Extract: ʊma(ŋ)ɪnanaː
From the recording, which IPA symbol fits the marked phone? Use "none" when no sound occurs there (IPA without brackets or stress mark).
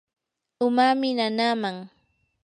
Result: m